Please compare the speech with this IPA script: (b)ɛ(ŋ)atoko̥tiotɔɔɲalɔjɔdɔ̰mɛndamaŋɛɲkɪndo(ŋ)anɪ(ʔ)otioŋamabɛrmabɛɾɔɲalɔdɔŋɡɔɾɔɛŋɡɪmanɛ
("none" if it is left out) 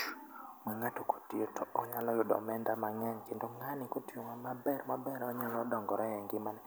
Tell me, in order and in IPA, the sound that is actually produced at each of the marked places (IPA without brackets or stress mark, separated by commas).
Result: m, ŋ, ŋ, k